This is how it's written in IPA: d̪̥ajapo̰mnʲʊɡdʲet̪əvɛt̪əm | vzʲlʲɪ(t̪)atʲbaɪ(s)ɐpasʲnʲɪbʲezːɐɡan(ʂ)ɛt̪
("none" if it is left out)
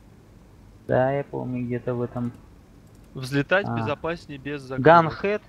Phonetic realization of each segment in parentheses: t̪, z, x

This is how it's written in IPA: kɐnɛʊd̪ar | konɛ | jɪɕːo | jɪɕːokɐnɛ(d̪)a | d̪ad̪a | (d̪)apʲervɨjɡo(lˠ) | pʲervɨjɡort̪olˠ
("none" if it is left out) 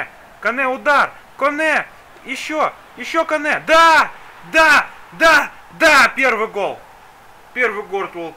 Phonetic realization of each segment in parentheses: d̪, d̪, lˠ

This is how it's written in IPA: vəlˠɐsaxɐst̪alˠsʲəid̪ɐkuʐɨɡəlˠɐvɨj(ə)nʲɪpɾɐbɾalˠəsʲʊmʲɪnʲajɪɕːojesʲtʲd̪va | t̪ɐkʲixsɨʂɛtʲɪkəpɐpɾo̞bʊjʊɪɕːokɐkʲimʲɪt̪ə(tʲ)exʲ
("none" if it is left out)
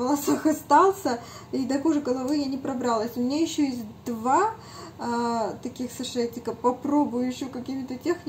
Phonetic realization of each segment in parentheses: a, tʲ

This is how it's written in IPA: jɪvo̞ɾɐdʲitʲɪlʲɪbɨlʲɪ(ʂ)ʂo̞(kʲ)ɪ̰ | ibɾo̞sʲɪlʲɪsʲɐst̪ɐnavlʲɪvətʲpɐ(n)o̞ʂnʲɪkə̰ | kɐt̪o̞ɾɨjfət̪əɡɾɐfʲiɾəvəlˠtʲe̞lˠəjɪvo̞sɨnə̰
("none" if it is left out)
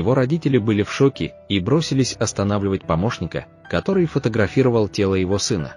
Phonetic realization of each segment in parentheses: f, kʲ, m

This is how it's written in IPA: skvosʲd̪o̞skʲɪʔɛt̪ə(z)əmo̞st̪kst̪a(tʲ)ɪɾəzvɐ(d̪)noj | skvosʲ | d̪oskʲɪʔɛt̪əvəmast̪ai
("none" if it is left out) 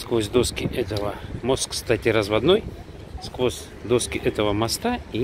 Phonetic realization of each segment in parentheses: v, tʲ, d̪

